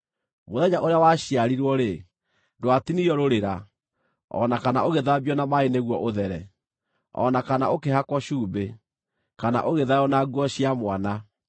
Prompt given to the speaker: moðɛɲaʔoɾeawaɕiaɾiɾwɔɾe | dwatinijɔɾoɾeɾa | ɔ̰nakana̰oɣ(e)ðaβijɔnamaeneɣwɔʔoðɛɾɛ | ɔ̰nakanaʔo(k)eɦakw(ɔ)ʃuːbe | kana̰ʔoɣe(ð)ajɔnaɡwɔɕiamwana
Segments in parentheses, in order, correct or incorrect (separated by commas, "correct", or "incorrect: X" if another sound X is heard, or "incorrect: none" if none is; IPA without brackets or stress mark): correct, correct, correct, correct